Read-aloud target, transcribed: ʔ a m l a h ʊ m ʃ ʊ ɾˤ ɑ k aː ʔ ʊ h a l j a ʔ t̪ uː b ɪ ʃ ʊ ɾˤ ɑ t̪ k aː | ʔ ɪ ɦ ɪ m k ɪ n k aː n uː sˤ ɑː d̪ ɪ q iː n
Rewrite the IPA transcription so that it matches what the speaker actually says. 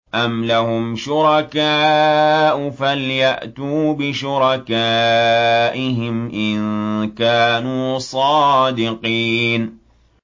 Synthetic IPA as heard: ʔ a m l a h ʊ m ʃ ʊ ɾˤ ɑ k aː ʔ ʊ f a l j a ʔ t̪ uː b ɪ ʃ ʊ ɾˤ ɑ k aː | ʔ ɪ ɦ ɪ m ʔ ɪ n k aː n uː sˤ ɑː d̪ ɪ q iː n